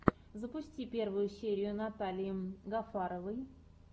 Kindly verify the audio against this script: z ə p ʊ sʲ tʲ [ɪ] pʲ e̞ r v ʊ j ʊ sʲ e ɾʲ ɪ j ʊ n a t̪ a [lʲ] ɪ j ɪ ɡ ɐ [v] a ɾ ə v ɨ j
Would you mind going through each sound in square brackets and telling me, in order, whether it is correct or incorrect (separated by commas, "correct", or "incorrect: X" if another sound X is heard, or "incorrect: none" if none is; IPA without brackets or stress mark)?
incorrect: i, correct, incorrect: f